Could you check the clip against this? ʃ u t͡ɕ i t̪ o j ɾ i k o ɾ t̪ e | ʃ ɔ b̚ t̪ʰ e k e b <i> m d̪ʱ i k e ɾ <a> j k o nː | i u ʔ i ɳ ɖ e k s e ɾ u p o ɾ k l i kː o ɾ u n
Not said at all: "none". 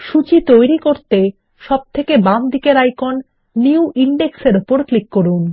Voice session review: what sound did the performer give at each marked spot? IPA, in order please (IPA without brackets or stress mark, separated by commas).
a, a